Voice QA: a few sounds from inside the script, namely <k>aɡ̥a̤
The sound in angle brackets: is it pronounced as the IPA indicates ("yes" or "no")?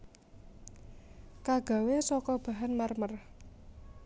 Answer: yes